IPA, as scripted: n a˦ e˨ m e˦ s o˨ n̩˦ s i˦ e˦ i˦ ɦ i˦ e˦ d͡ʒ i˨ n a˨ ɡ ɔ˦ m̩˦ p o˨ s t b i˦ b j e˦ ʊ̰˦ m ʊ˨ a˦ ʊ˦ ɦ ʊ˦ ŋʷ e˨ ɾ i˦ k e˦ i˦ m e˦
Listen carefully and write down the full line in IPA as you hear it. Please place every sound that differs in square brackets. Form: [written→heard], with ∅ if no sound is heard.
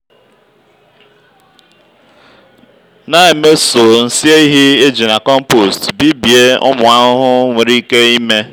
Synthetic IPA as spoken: n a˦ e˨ m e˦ s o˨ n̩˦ s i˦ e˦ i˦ ɦ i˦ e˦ d͡ʒ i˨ n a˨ [ɡ→k] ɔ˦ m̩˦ p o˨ s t b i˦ b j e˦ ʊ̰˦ m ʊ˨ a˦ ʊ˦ ɦ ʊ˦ ŋʷ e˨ ɾ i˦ k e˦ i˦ m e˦